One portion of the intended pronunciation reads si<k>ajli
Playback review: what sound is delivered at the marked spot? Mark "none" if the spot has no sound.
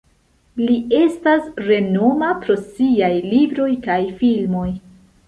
none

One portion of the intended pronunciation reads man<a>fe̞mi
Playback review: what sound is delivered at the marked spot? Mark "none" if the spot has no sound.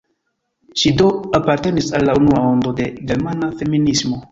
a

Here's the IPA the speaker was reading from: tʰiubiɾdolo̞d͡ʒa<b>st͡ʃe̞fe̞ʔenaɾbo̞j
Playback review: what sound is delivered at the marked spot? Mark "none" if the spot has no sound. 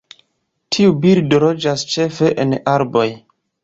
none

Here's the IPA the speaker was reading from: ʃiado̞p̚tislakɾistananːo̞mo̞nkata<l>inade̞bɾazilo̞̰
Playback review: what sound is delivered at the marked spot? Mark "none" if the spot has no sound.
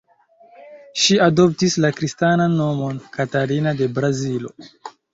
ɾ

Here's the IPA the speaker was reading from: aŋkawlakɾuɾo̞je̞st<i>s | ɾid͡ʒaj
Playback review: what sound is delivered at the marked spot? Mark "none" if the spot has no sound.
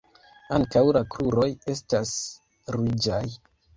a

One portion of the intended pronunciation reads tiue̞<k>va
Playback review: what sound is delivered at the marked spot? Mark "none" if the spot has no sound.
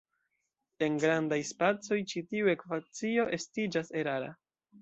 k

